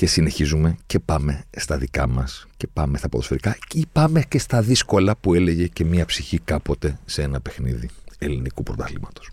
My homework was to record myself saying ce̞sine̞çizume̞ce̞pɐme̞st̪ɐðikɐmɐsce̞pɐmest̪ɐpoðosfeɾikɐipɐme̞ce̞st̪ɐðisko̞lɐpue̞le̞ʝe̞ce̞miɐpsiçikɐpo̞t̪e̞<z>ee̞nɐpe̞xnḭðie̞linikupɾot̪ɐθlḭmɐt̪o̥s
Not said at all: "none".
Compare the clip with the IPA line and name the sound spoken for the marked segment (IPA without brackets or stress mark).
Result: s